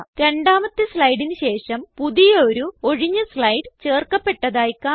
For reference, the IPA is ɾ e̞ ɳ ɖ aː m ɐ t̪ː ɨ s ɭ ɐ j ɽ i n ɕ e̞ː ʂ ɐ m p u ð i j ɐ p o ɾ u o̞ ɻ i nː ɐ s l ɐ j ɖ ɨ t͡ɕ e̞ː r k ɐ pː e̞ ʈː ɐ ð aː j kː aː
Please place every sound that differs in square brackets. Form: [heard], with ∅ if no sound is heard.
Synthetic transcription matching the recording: ɾ e̞ ɳ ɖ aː m ɐ t̪ː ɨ s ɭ ɐ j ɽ i n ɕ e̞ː ʂ ɐ m p u ð i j ɐ [∅] o ɾ u o̞ ɻ i [ɲː] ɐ s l ɐ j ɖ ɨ t͡ɕ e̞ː r k ɐ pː e̞ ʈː ɐ ð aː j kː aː